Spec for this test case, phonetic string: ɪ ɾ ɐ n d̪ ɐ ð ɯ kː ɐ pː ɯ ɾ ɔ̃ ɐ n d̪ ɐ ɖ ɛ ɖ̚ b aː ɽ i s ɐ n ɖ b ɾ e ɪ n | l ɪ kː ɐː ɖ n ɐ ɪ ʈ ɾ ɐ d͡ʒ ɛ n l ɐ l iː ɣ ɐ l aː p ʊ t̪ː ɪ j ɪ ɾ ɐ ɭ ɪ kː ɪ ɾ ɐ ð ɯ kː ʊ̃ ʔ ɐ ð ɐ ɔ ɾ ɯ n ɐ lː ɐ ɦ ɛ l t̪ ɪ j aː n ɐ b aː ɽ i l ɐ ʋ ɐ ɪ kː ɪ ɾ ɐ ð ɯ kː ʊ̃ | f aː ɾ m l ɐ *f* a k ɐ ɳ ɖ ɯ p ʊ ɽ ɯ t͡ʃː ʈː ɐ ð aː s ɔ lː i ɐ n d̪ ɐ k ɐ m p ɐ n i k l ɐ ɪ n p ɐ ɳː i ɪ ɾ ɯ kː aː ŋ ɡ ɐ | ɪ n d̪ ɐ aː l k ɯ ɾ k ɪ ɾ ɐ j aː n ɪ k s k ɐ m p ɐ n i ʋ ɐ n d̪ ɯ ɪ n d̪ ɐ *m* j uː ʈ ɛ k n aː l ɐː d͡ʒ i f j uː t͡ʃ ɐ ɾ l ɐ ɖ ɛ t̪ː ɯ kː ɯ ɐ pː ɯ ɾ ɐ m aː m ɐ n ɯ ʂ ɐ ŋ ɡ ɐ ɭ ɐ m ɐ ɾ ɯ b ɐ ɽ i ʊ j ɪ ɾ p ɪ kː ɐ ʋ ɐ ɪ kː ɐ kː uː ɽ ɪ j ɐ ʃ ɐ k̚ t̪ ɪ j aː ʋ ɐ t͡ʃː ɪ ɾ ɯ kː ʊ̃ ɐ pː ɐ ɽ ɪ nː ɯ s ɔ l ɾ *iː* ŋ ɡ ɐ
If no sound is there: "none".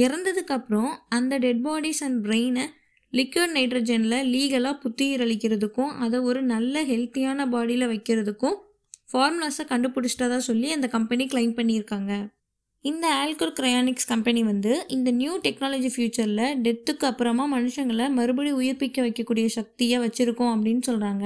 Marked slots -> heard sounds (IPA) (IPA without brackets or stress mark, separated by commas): s, n, aː